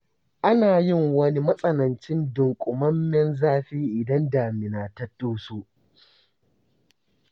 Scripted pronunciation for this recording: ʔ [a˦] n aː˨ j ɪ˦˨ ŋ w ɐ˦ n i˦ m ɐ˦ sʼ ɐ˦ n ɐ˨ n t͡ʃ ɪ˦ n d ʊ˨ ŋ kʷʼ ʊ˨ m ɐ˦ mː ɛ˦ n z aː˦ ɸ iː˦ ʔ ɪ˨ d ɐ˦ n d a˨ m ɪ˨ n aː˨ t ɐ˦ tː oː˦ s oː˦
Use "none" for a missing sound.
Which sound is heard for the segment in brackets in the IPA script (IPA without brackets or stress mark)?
a˦